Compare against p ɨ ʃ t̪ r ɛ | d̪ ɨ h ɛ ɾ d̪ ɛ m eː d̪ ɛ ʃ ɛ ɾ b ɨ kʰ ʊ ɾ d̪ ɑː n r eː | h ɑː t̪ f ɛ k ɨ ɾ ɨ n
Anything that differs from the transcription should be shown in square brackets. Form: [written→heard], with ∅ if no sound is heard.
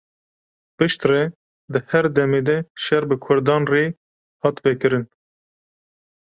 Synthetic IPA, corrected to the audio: p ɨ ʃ t̪ r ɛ | d̪ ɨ h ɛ ɾ d̪ ɛ m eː d̪ ɛ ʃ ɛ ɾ b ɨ kʰ ʊ ɾ d̪ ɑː n r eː | h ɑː t̪ [f→v] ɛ k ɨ ɾ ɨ n